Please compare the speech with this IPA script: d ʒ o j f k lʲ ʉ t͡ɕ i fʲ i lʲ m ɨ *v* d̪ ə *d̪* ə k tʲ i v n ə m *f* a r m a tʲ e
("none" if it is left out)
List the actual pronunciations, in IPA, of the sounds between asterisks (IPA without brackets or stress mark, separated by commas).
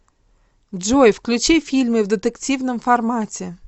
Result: v, t̪, f